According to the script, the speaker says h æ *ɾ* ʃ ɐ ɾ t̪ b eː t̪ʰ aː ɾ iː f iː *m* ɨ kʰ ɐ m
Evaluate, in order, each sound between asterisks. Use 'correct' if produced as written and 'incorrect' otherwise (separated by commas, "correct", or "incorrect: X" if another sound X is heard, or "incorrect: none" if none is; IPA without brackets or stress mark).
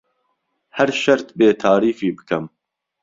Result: correct, incorrect: b